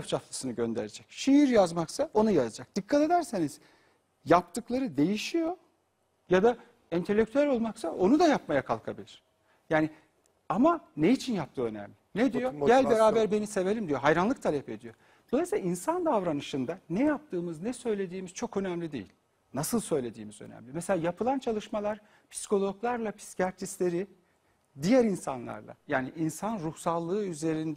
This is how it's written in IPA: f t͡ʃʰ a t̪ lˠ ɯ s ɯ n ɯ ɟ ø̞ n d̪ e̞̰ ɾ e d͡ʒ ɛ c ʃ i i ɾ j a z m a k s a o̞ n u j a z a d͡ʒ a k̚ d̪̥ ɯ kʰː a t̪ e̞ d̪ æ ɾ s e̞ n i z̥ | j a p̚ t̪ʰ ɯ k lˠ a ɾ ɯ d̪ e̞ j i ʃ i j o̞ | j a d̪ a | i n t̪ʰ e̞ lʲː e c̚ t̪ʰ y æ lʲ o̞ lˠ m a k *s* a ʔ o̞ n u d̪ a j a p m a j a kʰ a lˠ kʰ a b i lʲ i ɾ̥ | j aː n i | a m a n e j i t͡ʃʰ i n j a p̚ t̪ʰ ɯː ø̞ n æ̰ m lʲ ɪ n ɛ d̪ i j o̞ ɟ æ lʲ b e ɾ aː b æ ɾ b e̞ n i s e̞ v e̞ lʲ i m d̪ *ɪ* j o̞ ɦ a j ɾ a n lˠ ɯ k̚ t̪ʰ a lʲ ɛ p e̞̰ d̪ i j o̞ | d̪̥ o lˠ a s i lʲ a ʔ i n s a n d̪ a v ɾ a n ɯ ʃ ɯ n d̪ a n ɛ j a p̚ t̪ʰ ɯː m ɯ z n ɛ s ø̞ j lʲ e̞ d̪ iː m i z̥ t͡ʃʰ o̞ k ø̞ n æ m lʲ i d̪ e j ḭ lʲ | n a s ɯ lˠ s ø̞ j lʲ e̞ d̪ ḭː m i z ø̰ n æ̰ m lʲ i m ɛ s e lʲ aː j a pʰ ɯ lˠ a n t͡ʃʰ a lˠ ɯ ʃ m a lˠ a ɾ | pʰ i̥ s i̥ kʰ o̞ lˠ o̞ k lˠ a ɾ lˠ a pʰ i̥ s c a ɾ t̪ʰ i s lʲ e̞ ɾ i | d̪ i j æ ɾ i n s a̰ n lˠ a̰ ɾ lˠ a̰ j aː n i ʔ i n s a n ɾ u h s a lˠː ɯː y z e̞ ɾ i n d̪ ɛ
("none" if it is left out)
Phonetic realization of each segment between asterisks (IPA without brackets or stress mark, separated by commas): s, i